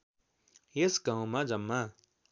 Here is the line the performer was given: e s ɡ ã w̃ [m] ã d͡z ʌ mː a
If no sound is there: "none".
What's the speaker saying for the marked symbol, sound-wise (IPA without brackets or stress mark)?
m